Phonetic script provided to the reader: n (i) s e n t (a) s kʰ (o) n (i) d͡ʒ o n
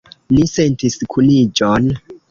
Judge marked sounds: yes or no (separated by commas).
yes, no, no, yes